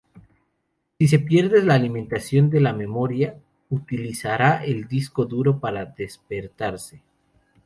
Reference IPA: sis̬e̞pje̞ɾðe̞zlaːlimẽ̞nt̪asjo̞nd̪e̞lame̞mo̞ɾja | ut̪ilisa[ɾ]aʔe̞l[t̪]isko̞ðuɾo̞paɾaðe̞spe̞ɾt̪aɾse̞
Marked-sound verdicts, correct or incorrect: correct, incorrect: d̪

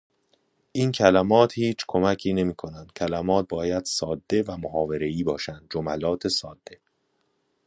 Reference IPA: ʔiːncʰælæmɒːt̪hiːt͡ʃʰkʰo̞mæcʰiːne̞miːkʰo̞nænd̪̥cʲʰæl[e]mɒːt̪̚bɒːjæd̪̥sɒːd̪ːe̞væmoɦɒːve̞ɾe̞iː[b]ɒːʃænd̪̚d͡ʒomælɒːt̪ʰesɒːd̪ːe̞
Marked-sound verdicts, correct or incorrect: incorrect: æ, correct

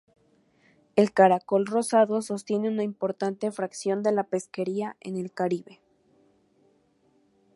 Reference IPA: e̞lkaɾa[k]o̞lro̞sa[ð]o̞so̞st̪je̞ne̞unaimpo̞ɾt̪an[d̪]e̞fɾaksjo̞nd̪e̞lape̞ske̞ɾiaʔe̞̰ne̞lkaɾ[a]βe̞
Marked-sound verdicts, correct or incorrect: correct, correct, incorrect: t̪, incorrect: i

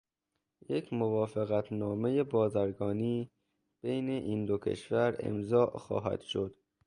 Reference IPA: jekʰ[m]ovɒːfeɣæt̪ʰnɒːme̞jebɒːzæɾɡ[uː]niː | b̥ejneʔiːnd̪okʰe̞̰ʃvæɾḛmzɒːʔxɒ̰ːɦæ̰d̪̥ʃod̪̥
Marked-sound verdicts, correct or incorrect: correct, incorrect: ɒː

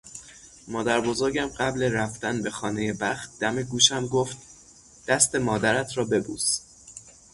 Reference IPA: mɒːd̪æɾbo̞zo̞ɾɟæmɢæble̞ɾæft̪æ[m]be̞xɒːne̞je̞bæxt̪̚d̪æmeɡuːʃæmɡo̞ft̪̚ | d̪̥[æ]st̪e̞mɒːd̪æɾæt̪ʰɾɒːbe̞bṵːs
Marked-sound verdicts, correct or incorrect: incorrect: n, correct

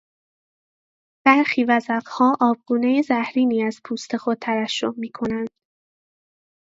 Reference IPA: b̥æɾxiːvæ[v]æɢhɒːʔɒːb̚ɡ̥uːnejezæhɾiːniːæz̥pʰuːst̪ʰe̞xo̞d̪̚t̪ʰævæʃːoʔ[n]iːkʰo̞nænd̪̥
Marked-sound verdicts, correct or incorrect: incorrect: z, incorrect: m

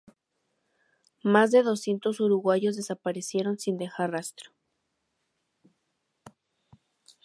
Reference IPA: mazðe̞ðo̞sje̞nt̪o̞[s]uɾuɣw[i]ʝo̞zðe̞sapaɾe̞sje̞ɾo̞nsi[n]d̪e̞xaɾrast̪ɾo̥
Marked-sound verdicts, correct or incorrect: correct, incorrect: a, correct

